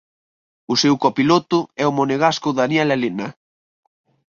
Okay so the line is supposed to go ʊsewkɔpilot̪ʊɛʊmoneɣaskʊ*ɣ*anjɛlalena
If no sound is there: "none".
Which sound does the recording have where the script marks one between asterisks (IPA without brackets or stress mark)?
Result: ð